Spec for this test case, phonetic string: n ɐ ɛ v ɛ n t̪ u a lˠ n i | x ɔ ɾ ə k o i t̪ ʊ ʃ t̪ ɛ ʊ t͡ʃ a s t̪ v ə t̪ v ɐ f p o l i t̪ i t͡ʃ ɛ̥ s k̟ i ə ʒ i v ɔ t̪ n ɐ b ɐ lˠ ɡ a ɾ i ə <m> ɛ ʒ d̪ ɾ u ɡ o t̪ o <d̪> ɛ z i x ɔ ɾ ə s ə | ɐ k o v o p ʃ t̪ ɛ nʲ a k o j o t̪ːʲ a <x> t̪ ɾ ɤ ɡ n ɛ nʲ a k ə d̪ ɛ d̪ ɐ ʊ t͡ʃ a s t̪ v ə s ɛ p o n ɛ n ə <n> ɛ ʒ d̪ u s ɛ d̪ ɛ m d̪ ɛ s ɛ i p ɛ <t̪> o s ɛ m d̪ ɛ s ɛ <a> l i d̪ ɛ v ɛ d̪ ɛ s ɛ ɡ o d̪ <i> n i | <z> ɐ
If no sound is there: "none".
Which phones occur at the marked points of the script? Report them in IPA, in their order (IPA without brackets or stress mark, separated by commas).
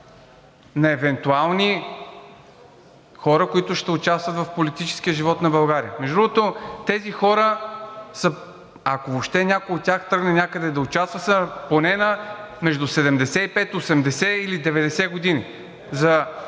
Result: m, t̪, x, m, t̪, i, i, z